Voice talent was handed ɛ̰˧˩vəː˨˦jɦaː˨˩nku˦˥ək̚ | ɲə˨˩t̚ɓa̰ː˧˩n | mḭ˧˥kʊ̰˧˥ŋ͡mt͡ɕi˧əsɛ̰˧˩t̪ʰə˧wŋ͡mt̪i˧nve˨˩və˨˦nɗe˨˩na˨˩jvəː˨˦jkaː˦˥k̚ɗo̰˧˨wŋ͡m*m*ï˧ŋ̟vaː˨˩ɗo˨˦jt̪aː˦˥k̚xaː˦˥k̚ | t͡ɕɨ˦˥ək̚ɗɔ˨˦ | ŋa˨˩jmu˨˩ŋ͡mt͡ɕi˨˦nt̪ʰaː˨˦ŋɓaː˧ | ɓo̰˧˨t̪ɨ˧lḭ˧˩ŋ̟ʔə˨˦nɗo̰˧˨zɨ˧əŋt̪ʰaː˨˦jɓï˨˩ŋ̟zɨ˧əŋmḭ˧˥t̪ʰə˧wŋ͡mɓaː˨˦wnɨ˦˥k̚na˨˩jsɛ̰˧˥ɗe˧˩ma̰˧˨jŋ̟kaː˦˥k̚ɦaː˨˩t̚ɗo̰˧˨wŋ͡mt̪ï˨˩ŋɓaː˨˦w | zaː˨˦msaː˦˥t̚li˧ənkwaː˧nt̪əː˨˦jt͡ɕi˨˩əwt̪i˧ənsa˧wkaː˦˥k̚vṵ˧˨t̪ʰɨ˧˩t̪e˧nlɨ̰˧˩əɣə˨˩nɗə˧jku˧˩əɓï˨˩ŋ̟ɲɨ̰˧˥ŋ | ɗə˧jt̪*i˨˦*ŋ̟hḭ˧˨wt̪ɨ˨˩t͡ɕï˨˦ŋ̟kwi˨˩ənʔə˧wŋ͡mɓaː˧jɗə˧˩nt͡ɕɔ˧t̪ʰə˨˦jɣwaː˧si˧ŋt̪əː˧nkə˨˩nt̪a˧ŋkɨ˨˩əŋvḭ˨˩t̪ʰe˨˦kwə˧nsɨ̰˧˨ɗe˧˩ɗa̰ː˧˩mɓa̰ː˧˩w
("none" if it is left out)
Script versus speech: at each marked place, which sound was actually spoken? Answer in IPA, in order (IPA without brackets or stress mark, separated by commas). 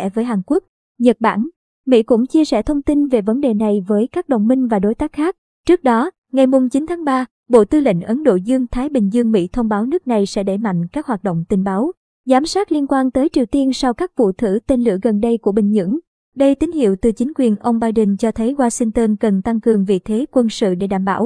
m, i˨˦